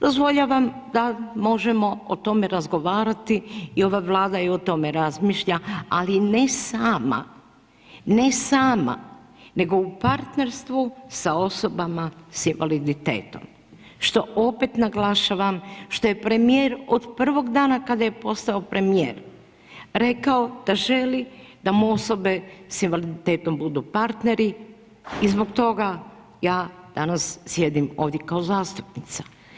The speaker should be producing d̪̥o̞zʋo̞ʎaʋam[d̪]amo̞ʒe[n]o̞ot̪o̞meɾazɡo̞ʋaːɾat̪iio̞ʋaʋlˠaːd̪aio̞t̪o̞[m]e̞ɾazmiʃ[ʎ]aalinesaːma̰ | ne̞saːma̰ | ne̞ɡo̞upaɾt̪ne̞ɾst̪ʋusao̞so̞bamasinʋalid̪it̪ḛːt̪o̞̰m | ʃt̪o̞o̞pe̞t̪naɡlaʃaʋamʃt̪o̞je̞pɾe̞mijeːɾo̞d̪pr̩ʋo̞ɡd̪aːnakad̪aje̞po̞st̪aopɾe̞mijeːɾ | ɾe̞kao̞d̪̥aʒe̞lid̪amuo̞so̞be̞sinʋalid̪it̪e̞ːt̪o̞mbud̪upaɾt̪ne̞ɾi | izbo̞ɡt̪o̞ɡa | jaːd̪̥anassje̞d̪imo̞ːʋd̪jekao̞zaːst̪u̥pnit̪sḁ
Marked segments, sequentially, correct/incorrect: correct, incorrect: m, correct, correct

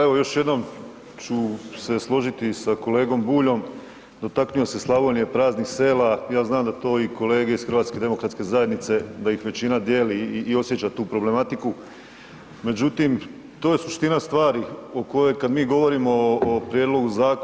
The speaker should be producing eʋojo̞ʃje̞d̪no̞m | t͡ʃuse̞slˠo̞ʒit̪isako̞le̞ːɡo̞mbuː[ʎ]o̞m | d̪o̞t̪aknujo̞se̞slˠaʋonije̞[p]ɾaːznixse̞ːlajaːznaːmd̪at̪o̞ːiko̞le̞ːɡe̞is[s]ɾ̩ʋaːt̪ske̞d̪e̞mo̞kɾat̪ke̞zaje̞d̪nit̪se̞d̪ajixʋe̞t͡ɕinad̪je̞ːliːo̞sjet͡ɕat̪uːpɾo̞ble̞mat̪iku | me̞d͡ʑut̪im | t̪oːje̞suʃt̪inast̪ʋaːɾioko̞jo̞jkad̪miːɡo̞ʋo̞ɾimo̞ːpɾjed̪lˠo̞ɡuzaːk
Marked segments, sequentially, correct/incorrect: correct, correct, incorrect: x

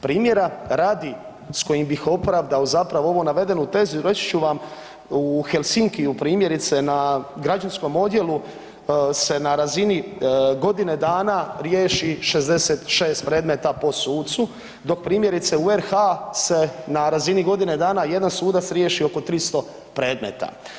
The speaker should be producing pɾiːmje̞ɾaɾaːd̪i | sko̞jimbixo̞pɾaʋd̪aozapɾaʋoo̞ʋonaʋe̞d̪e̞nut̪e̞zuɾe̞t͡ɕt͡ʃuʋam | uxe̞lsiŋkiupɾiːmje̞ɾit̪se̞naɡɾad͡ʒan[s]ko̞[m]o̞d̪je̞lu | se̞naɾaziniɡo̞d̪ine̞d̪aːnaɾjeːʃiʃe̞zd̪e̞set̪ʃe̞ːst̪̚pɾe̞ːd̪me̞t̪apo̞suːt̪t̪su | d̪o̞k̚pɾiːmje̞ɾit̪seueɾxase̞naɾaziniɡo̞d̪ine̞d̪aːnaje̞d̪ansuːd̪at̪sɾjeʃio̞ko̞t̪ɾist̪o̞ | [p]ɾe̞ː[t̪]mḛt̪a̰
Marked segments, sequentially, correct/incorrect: correct, correct, correct, incorrect: d̪

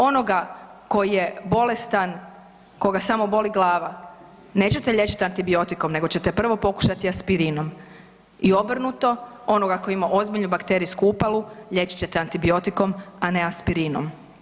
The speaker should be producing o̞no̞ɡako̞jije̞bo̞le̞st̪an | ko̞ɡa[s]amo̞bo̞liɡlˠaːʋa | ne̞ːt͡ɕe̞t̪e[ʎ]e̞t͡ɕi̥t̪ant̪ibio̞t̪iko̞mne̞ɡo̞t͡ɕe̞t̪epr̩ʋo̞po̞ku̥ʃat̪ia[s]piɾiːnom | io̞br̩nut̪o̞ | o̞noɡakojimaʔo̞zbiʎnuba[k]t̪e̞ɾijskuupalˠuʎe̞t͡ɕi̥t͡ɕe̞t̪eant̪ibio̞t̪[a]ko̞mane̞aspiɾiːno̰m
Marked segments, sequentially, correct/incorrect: correct, correct, correct, correct, incorrect: i

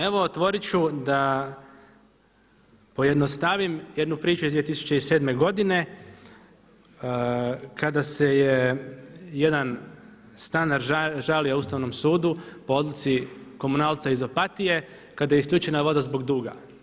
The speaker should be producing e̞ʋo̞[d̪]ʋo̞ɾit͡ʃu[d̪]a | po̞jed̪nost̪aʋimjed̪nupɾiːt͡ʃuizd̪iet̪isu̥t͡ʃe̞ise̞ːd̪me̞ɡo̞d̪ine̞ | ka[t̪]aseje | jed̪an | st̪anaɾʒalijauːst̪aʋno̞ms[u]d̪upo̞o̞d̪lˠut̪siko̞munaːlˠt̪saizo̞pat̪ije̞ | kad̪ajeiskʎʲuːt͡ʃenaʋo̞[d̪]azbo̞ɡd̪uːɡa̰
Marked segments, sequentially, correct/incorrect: incorrect: t̪, correct, incorrect: d̪, incorrect: uː, correct

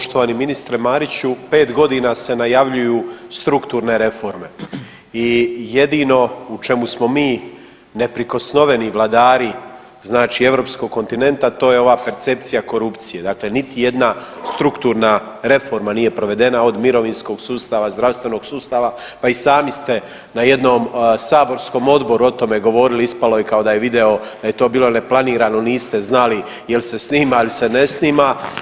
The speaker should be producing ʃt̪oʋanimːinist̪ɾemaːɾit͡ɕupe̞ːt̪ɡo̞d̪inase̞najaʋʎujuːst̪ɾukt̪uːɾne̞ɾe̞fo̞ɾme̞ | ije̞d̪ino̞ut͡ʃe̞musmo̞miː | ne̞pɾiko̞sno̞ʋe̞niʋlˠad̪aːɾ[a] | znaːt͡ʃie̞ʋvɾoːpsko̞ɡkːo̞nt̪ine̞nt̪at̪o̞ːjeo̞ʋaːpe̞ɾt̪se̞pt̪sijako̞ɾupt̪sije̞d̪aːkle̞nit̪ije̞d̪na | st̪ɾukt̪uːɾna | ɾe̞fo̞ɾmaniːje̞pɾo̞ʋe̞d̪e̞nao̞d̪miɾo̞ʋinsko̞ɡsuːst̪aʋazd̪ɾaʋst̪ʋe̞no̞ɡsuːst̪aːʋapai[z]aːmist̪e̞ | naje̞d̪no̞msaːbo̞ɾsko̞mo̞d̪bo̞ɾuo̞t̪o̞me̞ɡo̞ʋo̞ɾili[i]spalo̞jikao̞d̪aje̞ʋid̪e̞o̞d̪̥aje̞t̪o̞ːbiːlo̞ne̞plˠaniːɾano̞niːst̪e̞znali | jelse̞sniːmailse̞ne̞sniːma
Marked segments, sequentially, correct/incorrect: incorrect: i, incorrect: s, correct

